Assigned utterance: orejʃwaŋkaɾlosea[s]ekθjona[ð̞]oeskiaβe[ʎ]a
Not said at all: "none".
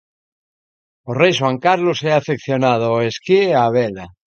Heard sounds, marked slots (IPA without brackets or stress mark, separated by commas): f, ð̞, l